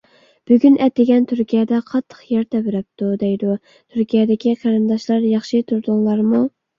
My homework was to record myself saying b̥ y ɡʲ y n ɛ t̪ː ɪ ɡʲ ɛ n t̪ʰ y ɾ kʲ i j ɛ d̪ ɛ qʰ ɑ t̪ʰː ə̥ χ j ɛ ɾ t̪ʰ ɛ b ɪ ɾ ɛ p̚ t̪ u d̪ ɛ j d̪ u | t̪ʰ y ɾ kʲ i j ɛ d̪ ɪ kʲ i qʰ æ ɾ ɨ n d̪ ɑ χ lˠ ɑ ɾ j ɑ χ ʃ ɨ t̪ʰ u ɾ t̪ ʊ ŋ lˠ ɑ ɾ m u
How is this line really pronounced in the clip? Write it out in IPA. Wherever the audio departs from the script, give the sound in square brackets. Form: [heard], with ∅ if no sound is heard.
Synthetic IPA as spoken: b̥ y ɡʲ y n ɛ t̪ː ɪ ɡʲ ɛ n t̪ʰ y ɾ kʲ i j ɛ d̪ ɛ qʰ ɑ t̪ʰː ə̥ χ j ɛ ɾ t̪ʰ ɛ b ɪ ɾ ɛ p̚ t̪ u d̪ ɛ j d̪ u | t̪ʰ y ɾ kʲ i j ɛ d̪ ɪ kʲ i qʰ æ ɾ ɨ n d̪ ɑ [ʃ] lˠ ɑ ɾ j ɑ χ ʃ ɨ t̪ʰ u ɾ [d̪] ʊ ŋ lˠ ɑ ɾ m u